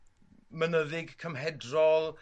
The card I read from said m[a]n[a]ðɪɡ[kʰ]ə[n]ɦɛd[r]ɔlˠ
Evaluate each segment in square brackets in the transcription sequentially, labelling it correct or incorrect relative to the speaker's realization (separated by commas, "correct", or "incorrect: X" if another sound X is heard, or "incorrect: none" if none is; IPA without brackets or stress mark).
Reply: incorrect: ə, incorrect: ə, correct, incorrect: m, correct